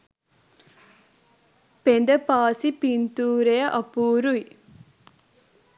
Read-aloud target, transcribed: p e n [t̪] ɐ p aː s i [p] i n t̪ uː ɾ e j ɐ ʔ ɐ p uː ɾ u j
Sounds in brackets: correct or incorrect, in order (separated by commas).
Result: incorrect, correct